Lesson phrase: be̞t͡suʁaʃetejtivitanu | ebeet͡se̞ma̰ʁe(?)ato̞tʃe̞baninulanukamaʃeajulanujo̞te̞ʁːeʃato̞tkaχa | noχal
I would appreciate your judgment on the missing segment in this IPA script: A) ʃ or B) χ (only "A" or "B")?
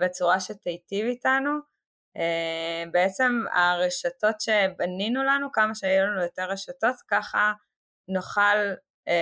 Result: A